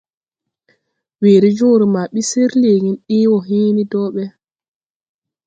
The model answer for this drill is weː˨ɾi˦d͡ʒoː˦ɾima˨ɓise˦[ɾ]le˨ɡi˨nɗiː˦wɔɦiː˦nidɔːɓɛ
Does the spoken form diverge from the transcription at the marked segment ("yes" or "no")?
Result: no